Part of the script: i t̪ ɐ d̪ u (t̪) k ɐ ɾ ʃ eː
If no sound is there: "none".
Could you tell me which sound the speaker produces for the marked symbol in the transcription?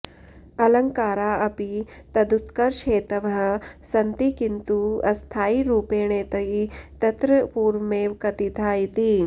t̪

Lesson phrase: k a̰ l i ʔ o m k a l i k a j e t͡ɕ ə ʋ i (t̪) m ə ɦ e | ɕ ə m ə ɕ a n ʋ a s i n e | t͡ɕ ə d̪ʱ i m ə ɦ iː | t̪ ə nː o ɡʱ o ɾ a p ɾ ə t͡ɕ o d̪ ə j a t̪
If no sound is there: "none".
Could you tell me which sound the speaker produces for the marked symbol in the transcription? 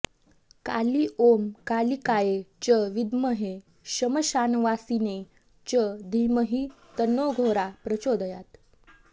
d̪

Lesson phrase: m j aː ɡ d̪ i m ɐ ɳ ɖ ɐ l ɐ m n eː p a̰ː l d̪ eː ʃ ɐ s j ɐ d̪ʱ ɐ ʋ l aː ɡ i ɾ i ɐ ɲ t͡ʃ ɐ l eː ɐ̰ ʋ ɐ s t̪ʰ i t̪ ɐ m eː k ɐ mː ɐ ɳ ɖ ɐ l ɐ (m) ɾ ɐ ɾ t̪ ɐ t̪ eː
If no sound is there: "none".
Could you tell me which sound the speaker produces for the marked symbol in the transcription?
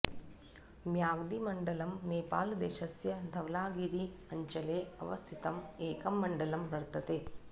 m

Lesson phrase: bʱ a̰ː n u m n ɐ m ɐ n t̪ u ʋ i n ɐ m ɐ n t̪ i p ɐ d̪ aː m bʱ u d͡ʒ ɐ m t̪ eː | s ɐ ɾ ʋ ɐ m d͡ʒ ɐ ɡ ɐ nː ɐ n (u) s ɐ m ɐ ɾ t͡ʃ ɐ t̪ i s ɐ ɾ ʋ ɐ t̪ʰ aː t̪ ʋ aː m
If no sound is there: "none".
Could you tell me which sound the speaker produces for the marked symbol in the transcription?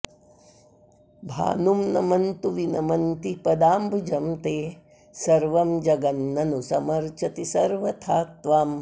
u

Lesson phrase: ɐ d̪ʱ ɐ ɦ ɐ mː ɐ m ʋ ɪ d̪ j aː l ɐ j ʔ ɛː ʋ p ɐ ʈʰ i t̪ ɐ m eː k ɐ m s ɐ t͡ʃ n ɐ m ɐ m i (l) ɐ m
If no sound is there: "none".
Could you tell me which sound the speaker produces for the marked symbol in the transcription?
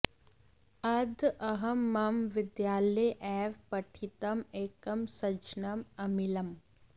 l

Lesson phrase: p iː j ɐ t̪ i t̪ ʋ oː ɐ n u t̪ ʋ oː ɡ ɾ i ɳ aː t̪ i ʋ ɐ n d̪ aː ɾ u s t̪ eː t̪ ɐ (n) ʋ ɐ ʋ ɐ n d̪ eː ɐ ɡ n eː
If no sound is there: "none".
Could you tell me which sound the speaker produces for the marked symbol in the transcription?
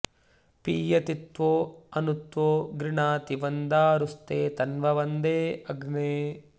n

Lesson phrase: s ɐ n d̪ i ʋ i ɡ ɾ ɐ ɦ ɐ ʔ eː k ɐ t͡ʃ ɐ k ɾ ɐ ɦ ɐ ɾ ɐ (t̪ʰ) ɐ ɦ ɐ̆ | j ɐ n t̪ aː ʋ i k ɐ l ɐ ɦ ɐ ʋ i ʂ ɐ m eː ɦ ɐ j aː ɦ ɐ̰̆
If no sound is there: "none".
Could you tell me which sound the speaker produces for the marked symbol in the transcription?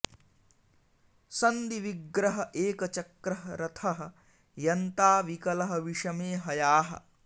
t̪ʰ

